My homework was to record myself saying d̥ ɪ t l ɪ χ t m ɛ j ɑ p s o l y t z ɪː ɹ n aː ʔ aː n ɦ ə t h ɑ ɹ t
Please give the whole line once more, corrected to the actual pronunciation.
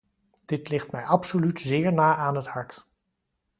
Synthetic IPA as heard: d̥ ɪ t l ɪ χ t m ɛ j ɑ p s o l y t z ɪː ɹ n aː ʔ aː n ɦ ə t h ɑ ɹ t